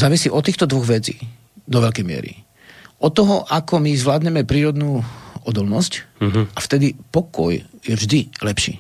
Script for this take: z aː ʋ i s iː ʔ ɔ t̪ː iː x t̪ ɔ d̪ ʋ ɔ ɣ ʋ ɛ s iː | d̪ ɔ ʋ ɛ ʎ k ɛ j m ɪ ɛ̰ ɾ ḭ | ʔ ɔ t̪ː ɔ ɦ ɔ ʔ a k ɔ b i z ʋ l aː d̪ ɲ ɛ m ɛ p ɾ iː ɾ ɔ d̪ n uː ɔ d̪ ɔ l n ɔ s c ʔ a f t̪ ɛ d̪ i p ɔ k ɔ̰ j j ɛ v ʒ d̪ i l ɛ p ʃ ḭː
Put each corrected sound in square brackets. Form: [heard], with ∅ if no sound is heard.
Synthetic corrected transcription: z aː ʋ i s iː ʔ ɔ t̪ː iː x t̪ ɔ d̪ ʋ ɔ ɣ ʋ ɛ [t͡s] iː | d̪ ɔ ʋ ɛ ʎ k ɛ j m ɪ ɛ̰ ɾ ḭ | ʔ ɔ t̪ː ɔ ɦ ɔ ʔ a k ɔ [m] i z ʋ l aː d̪ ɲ ɛ m ɛ p ɾ iː ɾ ɔ d̪ n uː ɔ d̪ ɔ l n ɔ s c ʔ a f t̪ ɛ d̪ i p ɔ k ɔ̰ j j ɛ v ʒ d̪ i l ɛ p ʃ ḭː